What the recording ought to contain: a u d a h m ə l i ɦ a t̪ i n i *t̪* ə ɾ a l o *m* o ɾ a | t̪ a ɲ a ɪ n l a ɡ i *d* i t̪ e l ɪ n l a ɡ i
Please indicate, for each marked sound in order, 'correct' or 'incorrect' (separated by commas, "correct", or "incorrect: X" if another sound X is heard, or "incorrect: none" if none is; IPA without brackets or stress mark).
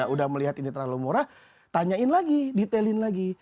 correct, correct, correct